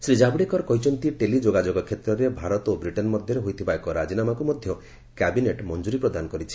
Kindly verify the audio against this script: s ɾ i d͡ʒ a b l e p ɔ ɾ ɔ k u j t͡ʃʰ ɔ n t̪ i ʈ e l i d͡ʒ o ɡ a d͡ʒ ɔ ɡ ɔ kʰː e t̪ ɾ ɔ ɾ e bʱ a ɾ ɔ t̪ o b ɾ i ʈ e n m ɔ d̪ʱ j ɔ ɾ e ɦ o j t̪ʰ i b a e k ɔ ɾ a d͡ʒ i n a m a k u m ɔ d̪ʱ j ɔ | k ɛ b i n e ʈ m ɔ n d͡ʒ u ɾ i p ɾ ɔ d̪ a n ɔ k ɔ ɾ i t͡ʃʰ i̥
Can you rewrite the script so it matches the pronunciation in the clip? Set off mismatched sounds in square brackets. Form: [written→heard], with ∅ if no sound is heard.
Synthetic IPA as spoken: s ɾ i d͡ʒ a b [l→ɽ] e [p→k] ɔ ɾ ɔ k [u→ɔ] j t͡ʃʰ ɔ n t̪ i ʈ e l i d͡ʒ o ɡ a d͡ʒ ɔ ɡ ɔ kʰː e t̪ ɾ ɔ ɾ e bʱ a ɾ ɔ t̪ o b ɾ i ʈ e n m ɔ d̪ʱ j ɔ ɾ e ɦ o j t̪ʰ i b a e k ɔ ɾ a d͡ʒ i n a m a k u m ɔ d̪ʱ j ɔ | k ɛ b i n e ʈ m ɔ n d͡ʒ u ɾ i p ɾ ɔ d̪ a n ɔ k ɔ ɾ i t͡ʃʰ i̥